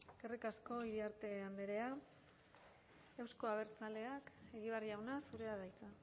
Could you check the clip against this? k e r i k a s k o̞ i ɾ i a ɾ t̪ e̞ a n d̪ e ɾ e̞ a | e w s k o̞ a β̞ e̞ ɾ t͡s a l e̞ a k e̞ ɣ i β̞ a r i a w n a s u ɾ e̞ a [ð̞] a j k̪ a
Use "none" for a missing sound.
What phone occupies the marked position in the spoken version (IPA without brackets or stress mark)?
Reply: ð̞